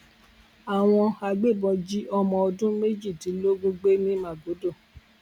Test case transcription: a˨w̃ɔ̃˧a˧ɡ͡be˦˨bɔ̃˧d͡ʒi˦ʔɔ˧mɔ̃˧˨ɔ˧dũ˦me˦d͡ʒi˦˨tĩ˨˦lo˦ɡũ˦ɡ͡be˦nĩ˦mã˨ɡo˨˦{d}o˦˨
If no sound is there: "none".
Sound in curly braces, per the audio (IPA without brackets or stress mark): d